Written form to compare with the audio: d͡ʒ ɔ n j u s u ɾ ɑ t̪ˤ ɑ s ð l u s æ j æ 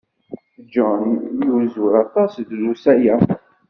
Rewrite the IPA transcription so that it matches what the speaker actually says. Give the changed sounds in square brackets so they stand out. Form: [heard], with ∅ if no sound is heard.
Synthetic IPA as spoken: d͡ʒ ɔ n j u [z] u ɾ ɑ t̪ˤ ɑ s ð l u s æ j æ

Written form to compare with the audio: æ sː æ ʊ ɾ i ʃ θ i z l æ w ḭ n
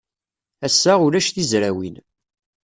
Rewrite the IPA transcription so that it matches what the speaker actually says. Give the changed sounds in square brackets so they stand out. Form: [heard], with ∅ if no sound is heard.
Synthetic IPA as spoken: æ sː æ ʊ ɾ [æ] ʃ θ i z [ɾ] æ w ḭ n

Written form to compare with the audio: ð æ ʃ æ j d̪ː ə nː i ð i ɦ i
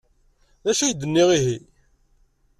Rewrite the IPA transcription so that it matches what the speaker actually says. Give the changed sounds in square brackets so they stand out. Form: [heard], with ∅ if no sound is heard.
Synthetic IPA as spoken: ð æ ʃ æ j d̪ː ə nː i [ʁ] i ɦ i

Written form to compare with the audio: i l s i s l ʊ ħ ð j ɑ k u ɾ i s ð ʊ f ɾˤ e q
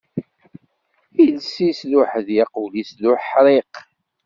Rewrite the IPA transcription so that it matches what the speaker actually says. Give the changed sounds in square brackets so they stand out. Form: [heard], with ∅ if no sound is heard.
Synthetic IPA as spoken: i l s i s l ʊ ħ ð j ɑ [q] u [l] i s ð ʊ [ħ] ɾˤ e q

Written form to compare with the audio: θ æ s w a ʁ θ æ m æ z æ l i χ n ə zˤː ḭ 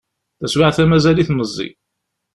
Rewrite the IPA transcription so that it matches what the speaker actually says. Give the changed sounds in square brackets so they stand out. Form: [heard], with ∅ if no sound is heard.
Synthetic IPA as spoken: θ æ s w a [ʕ] θ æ m æ z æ l i [θ] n ə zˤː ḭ

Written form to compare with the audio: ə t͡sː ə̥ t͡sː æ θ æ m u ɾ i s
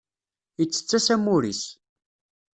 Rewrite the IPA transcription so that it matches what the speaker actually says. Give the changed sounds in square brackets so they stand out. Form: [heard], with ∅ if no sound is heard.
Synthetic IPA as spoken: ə t͡sː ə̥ t͡sː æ [s] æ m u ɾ i s

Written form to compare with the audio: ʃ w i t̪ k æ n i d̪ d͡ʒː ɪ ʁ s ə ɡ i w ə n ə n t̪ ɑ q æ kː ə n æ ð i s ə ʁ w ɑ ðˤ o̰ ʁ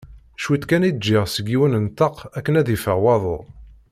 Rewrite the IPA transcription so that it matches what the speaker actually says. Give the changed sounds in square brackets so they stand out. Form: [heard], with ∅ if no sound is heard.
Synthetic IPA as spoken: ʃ w i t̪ k æ n i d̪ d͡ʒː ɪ ʁ s ə ɡ i w ə n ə n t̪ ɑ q æ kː ə n æ ð i [f] ə ʁ w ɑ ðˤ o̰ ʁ

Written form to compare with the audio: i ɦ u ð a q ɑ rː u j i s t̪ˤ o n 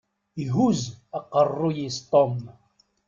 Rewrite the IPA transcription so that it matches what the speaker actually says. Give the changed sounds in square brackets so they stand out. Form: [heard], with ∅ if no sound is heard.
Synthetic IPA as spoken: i ɦ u [z] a q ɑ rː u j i s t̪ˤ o [m]

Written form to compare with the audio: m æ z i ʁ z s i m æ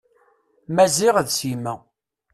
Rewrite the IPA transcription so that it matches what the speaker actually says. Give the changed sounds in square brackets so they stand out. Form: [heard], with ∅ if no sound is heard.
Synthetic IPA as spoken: m æ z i ʁ [ð] s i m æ

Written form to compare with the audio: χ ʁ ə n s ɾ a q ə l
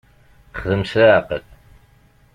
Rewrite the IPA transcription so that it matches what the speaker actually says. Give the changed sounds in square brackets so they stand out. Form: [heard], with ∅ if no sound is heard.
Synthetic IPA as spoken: χ [ð] ə [m] s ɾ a q ə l

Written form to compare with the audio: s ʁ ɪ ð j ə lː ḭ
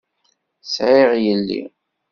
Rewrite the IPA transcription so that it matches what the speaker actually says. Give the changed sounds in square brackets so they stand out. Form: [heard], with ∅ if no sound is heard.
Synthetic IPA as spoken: s [ʕ] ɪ [ʁ] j ə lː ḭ

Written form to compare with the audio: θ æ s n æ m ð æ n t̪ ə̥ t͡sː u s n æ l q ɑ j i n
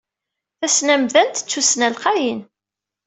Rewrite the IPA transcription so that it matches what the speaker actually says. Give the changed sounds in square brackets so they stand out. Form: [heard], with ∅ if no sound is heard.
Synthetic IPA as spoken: θ æ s n æ m ð æ n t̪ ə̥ t͡sː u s n æ l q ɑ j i n

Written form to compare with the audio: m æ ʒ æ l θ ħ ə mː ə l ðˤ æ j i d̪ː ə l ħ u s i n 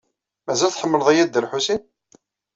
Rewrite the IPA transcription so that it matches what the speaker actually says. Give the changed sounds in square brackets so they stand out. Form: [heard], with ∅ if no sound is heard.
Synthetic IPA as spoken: m æ [z] æ l θ ħ ə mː ə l ðˤ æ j [æ] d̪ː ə l ħ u s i n

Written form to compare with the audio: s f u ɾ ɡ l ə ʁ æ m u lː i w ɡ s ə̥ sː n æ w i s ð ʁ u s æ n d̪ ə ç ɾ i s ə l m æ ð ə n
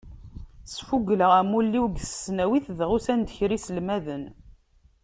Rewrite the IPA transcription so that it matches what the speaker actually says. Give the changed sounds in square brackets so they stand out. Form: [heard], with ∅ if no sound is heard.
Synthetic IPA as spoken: s f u [∅] ɡ l ə ʁ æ m u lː i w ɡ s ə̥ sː n æ w i [θ] ð ʁ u s æ n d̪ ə ç ɾ i s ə l m æ ð ə n

